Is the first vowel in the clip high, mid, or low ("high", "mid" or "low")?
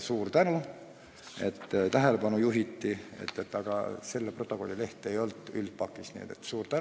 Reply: high